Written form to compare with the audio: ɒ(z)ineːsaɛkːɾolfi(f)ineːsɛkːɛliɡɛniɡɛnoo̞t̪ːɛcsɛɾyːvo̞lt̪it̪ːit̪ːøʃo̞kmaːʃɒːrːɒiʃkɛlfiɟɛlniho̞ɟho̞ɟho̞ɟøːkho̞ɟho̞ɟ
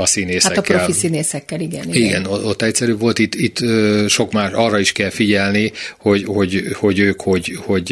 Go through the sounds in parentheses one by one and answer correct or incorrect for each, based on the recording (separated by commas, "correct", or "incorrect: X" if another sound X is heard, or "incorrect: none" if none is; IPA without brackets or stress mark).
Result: incorrect: s, incorrect: s